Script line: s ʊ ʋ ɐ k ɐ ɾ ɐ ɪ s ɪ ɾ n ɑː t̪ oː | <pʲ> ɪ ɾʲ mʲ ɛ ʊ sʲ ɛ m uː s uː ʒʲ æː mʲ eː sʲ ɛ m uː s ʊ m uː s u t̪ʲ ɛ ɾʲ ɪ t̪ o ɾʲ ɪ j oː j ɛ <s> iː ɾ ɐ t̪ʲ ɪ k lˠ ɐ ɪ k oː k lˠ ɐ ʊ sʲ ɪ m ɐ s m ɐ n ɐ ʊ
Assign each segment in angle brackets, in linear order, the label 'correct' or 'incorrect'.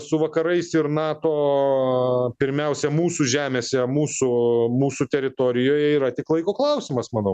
correct, incorrect: none

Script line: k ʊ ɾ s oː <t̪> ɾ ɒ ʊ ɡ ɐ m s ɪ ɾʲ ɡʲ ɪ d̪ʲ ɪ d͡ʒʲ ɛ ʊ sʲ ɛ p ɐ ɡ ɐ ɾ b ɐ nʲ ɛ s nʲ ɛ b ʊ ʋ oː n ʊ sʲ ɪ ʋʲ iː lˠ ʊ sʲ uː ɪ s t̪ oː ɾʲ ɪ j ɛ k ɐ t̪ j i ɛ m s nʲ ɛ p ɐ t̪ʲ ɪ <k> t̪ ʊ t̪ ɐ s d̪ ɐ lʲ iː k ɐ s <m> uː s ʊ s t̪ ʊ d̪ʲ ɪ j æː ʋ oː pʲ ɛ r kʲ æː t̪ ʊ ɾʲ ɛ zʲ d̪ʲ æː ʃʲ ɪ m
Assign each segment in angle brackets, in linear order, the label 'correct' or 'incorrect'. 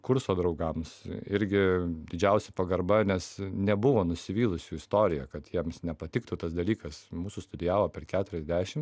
incorrect: d̪, correct, correct

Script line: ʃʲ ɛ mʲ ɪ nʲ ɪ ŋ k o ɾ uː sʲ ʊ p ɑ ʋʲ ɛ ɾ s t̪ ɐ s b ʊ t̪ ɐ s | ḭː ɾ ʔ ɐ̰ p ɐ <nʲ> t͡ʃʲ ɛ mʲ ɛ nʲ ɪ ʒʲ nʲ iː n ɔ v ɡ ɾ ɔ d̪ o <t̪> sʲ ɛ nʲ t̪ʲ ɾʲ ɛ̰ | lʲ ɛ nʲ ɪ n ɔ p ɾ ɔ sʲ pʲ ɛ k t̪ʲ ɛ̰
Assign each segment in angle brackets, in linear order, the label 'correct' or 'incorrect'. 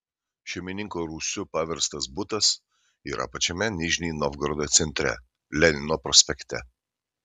incorrect: none, correct

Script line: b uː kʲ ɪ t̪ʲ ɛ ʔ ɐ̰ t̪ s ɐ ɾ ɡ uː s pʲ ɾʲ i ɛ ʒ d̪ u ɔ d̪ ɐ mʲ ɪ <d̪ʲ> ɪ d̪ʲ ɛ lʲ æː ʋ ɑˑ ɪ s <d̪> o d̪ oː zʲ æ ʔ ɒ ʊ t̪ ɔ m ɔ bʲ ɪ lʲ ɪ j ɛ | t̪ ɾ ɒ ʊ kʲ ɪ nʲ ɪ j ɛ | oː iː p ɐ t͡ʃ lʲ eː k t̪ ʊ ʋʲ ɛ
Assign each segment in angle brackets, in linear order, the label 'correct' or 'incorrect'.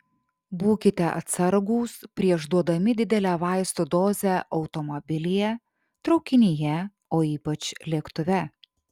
correct, incorrect: t̪

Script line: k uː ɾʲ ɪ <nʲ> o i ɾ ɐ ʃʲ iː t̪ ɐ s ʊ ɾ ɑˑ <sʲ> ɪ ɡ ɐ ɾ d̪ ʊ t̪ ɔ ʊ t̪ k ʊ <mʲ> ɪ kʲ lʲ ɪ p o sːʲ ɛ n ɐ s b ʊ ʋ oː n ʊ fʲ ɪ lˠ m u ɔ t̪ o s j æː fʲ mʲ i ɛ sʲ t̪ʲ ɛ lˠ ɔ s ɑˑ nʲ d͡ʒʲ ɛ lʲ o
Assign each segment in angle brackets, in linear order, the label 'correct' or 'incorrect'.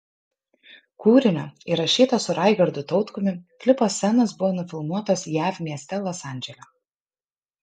correct, incorrect: none, correct

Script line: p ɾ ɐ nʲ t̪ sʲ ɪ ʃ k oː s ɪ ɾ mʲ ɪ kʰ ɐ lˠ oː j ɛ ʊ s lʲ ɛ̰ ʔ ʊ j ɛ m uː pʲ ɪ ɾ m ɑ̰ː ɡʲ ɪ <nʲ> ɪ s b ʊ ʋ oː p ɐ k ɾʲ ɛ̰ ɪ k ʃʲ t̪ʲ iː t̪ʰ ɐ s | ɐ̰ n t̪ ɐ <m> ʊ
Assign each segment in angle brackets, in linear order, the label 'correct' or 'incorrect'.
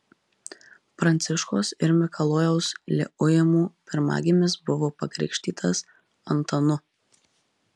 incorrect: mʲ, incorrect: n

